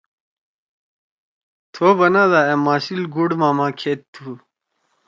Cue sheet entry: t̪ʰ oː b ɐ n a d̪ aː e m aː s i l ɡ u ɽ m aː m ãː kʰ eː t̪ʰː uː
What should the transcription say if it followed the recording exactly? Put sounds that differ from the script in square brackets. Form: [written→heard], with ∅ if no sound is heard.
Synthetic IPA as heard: t̪ʰ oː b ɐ n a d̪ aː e m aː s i l ɡ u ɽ m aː m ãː kʰ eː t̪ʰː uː